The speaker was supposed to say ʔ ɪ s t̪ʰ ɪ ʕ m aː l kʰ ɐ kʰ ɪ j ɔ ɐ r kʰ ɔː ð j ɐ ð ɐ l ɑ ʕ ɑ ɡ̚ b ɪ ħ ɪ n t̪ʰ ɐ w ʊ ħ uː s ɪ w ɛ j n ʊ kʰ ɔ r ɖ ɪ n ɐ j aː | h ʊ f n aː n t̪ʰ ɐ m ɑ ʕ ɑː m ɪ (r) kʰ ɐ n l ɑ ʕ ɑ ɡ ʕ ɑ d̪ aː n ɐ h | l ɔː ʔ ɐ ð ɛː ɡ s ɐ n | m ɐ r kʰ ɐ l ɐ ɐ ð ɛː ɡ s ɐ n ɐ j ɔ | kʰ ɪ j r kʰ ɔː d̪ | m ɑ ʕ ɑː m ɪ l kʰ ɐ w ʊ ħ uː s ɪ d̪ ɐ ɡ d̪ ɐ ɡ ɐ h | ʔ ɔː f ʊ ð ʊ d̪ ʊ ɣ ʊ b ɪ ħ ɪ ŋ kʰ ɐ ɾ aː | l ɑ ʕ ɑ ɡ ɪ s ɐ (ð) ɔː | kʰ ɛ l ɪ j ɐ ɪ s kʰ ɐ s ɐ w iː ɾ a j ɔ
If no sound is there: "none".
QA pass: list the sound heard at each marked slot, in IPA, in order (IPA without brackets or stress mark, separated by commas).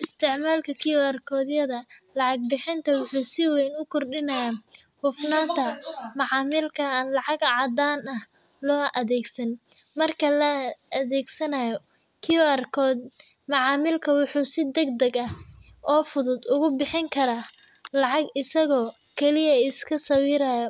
l, ɣ